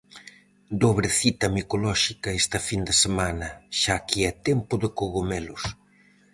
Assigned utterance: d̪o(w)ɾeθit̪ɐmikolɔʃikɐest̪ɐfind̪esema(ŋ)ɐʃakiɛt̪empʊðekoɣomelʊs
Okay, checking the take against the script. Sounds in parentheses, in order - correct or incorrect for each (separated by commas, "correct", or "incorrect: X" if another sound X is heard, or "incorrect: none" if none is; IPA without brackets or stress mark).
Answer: incorrect: β, incorrect: n